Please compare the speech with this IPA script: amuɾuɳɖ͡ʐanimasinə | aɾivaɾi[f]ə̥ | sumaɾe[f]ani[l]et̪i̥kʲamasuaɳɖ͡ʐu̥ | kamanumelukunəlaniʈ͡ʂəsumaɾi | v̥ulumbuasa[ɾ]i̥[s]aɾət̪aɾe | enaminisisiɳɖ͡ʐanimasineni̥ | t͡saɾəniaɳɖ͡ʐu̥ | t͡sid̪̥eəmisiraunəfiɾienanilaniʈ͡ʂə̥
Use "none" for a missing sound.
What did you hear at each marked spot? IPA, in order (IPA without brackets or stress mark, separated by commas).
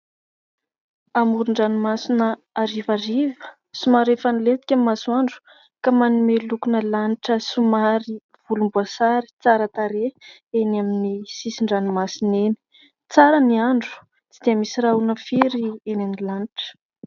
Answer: v, f, l, ɾ, t͡s